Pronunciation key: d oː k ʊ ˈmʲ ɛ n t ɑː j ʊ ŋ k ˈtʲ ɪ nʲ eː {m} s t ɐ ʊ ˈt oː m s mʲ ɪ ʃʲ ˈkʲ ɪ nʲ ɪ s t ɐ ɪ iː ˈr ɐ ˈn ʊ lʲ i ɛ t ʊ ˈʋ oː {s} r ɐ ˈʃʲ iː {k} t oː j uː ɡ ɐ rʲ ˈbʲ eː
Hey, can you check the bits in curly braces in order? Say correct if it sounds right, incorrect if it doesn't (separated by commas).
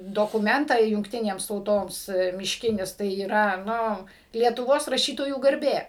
correct, correct, incorrect